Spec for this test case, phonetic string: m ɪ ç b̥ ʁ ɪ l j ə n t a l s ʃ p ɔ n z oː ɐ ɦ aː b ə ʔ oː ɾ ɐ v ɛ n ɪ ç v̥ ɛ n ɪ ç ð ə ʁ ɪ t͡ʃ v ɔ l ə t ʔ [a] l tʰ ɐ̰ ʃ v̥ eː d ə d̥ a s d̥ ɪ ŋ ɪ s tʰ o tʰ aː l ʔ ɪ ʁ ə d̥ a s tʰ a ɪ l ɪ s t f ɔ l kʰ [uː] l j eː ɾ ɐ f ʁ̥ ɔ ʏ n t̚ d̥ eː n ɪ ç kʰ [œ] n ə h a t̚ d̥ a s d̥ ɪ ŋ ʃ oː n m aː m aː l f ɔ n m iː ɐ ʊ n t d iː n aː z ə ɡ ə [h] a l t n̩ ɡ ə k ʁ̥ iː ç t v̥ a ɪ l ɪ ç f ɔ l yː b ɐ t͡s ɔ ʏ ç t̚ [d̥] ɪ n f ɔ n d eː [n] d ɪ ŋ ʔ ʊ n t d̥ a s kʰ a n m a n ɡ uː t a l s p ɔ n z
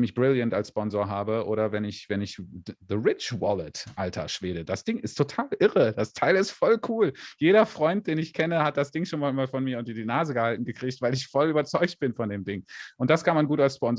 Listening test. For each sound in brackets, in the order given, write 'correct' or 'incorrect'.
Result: correct, correct, incorrect, correct, incorrect, incorrect

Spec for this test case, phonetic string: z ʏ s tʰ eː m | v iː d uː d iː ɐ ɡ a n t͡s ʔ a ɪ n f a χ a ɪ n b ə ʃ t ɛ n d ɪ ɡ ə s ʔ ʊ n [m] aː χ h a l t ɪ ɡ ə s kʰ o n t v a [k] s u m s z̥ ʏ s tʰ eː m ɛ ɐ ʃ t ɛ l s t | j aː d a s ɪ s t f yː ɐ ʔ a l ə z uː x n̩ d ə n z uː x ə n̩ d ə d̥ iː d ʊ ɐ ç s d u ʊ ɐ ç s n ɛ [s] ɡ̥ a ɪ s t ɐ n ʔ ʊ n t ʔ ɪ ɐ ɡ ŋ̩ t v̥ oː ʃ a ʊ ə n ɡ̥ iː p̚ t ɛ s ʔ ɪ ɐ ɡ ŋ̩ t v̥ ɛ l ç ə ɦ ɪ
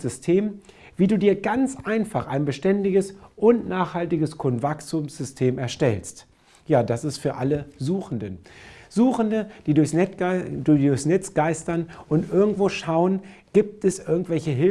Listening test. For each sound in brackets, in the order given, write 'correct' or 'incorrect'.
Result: incorrect, correct, incorrect

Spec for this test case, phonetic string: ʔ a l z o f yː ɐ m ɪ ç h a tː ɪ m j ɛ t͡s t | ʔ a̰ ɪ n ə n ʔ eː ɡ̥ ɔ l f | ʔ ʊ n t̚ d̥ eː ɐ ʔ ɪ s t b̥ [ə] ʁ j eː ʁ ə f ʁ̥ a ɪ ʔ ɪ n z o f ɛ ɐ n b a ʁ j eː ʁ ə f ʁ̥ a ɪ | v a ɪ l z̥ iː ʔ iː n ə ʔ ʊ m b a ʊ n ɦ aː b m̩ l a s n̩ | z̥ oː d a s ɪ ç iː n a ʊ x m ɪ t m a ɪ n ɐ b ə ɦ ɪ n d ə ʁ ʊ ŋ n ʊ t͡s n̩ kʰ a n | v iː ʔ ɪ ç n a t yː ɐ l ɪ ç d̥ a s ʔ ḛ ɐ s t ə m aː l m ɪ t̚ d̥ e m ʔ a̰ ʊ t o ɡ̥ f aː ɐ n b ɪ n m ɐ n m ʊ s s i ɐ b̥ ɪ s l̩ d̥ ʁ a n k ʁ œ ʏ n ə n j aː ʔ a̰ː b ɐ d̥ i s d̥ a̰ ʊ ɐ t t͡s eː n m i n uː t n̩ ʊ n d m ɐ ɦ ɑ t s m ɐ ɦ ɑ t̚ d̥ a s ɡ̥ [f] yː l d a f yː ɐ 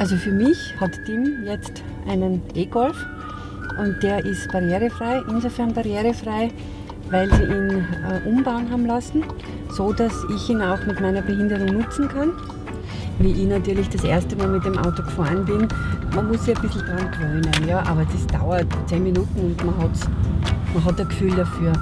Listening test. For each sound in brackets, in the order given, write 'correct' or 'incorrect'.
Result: incorrect, correct

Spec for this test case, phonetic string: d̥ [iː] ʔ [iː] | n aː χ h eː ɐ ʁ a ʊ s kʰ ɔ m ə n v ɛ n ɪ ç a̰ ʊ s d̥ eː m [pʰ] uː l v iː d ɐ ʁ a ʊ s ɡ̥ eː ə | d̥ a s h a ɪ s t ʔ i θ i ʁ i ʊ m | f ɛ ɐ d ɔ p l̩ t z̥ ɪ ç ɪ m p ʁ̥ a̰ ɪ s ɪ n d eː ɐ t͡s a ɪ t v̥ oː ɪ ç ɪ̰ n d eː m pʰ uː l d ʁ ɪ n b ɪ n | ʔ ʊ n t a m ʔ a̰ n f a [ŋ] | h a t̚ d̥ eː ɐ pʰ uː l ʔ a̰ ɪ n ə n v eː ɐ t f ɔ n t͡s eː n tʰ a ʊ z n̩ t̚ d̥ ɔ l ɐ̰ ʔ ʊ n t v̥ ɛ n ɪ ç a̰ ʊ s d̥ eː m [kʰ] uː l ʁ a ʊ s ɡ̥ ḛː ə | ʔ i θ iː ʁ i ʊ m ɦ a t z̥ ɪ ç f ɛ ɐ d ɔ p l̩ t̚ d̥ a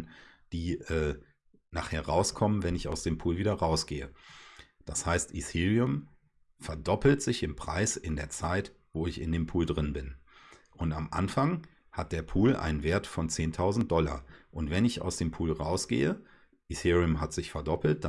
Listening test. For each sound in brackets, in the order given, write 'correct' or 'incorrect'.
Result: correct, incorrect, correct, correct, incorrect

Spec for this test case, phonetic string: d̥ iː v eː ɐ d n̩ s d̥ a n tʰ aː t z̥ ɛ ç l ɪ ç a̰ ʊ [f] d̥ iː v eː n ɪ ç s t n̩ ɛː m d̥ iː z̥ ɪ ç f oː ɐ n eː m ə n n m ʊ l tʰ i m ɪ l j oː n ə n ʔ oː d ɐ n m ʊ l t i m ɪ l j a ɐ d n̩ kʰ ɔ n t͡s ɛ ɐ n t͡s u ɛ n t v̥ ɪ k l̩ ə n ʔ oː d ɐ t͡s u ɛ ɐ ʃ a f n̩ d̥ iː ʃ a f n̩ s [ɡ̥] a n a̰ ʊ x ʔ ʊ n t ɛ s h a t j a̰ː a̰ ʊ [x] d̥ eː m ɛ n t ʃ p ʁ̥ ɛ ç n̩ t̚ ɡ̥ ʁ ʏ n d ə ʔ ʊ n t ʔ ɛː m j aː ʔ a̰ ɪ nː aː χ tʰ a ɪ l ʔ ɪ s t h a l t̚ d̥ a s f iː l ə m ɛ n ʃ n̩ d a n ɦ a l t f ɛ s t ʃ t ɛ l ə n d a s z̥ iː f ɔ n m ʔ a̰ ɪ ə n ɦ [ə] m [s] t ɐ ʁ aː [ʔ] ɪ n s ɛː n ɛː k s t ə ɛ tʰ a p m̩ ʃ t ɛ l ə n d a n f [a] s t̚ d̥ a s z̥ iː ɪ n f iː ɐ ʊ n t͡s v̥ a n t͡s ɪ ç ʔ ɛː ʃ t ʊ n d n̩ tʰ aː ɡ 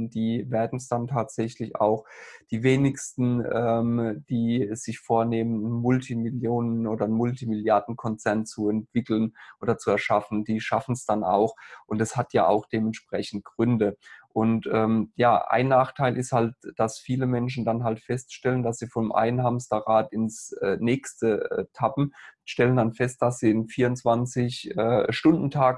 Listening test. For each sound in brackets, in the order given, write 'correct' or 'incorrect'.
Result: incorrect, incorrect, correct, incorrect, correct, incorrect, incorrect

